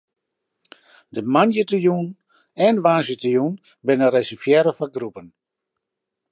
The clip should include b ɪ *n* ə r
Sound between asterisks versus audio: correct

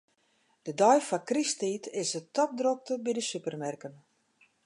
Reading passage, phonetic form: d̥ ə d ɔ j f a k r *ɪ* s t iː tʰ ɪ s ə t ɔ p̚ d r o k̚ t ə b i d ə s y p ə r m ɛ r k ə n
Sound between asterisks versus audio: incorrect: i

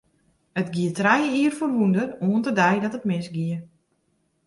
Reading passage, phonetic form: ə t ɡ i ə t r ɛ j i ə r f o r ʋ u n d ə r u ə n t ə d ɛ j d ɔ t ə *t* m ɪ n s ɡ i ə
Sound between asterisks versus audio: correct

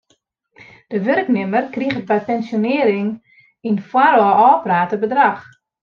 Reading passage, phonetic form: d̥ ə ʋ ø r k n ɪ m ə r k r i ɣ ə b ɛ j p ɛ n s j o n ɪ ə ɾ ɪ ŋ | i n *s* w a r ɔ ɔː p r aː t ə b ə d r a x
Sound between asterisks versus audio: incorrect: f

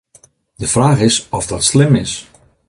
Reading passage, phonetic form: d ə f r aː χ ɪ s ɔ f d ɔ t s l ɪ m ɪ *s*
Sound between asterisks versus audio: correct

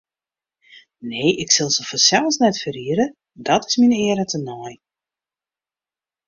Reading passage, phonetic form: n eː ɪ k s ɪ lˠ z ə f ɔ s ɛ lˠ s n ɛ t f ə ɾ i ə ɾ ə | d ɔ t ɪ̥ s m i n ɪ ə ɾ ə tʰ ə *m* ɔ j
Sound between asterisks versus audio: incorrect: n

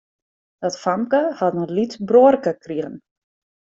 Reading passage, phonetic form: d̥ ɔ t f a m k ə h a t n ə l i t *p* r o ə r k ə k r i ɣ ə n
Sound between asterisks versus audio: incorrect: b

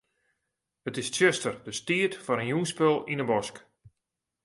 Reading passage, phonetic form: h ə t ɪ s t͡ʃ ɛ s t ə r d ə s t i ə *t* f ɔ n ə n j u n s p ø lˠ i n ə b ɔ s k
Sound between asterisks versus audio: correct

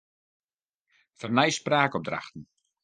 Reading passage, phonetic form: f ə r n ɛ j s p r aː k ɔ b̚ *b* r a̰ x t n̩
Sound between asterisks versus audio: incorrect: d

